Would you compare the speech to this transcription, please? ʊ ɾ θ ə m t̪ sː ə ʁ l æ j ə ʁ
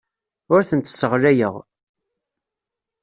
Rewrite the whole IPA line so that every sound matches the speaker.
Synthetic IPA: ʊ ɾ θ ə n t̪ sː ə ʁ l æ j ə ʁ

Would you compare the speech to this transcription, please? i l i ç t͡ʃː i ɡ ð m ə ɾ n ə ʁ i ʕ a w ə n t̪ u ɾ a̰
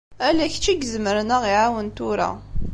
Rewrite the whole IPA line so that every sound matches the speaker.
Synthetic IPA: æ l æ ç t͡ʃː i ɡ z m ə ɾ n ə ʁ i ʕ a w ə n t̪ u ɾ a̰

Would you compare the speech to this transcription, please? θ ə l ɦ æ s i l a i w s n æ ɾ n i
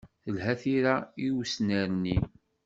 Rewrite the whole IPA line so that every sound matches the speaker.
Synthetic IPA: θ ə l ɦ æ θ i ɾ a i w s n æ ɾ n i

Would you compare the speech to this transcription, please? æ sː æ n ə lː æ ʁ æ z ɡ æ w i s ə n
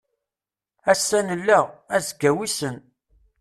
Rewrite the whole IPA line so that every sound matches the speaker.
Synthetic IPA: æ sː æ n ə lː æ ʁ æ z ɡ æ w i s ə n

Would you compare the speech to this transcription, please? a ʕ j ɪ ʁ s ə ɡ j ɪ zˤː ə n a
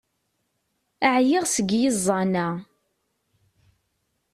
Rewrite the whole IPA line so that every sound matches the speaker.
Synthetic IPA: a ʕ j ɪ ʁ s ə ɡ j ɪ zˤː ɑ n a

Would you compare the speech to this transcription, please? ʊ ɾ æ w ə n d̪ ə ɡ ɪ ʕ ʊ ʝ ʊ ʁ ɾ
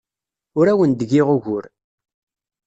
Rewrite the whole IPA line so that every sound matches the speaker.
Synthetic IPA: ʊ ɾ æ w ə n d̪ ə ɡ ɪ ʁ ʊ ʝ ʊ ɾ

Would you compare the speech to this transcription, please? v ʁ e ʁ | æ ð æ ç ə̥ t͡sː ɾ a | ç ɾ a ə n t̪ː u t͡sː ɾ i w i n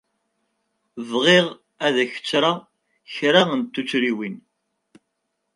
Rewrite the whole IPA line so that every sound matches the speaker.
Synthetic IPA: v ʁ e ʁ | æ ð æ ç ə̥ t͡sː ɾ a | ç ɾ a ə n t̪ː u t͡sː ɾ i w i n

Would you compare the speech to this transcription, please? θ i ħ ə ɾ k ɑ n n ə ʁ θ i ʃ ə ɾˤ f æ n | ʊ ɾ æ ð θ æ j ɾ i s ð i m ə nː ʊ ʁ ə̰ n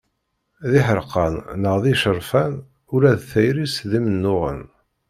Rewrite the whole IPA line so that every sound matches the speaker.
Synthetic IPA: ð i ħ ə ɾ q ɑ n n ə ʁ ð i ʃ ə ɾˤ f æ n | ʊ ɾ æ ð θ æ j ɾ i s ð i m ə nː ʊ ʁ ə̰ n

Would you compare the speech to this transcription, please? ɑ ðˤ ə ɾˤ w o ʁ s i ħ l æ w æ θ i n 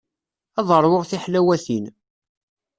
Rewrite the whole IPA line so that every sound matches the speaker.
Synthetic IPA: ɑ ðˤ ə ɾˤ w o ʁ θ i ħ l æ w æ θ i n

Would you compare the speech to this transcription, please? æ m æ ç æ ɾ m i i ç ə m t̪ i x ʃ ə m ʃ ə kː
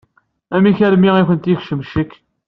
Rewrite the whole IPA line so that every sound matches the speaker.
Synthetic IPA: æ m i ç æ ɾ m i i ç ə n t̪ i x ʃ ə m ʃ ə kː

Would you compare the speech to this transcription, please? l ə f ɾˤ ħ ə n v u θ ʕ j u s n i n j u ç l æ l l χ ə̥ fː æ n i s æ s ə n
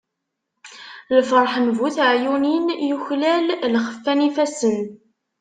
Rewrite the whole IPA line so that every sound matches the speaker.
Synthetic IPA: l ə f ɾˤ ħ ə n v u θ ʕ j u n i n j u ç l æ l l χ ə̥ fː æ n i f æ s ə n

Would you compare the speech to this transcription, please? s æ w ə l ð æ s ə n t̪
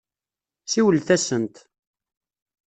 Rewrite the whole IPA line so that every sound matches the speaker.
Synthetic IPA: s i w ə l θ æ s ə n t̪

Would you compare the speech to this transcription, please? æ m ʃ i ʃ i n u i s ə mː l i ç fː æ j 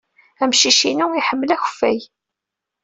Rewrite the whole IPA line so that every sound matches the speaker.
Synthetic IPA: æ m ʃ i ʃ i n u i ħ ə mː l æ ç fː æ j

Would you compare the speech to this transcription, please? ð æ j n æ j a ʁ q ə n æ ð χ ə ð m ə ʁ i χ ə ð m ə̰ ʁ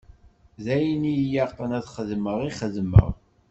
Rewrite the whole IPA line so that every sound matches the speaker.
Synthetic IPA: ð æ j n i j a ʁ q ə n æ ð χ ə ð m ə ʁ i χ ə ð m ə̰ ʁ

